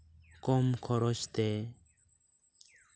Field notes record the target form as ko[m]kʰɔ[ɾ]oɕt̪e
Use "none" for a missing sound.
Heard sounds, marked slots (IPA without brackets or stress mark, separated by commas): m, ɾ